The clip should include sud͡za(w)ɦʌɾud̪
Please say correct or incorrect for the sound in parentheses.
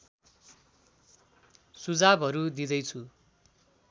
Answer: incorrect